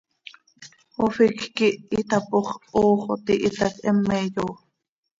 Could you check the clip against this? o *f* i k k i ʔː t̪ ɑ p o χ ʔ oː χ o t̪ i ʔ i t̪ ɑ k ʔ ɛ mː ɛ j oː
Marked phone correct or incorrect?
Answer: correct